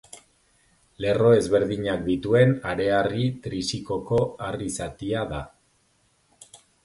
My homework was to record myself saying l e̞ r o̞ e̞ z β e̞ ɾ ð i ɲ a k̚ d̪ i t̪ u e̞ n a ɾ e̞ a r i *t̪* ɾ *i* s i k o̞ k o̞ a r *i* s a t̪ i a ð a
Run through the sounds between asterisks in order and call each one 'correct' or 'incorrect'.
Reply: correct, correct, correct

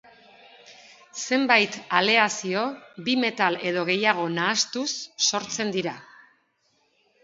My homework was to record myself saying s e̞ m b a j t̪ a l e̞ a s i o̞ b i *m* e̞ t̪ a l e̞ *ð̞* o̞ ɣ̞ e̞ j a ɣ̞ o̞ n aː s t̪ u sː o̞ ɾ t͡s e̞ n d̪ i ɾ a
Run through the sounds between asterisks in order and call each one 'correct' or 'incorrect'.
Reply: correct, correct

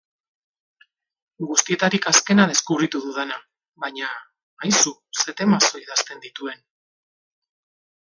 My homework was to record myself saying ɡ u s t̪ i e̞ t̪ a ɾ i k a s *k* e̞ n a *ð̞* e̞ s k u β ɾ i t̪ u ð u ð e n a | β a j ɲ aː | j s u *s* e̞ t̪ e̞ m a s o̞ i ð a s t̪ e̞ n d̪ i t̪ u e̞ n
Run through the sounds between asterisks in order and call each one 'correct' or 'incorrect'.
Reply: correct, correct, correct

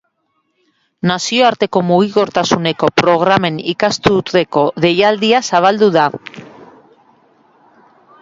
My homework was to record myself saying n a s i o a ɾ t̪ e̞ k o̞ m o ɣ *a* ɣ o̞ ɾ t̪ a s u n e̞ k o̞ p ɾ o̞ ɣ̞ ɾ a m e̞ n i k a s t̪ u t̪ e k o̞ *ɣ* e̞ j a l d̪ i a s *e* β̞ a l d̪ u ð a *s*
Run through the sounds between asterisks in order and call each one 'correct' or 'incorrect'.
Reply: incorrect: i, incorrect: ð, incorrect: a, incorrect: none

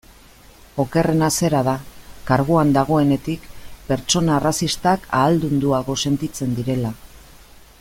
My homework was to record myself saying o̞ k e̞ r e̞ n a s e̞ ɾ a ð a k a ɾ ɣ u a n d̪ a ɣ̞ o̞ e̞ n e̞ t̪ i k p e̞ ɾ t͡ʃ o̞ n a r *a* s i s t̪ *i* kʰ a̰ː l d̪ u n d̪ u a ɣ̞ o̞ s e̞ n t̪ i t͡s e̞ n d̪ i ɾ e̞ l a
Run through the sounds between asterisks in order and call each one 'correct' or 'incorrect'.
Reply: correct, incorrect: a

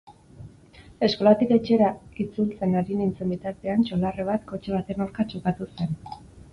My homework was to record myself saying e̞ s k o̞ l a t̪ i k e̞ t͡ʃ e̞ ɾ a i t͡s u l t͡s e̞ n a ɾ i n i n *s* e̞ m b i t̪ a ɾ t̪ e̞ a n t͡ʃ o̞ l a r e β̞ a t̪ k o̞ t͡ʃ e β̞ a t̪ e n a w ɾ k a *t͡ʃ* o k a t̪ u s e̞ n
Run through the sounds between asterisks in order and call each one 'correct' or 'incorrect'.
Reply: incorrect: t͡s, correct

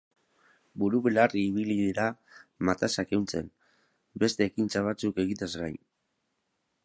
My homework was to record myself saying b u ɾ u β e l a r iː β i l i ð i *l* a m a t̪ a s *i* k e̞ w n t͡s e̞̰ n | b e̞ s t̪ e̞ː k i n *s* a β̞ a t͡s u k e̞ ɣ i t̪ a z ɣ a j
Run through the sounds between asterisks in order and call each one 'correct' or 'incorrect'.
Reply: incorrect: ɾ, incorrect: a, incorrect: t͡s

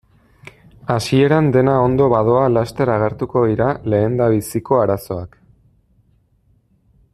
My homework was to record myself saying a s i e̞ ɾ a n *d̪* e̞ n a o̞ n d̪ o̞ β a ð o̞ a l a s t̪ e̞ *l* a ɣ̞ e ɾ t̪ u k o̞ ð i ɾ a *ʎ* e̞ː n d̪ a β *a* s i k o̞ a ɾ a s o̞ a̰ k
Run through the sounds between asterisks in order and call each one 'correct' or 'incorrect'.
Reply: correct, incorrect: ɾ, incorrect: l, incorrect: i

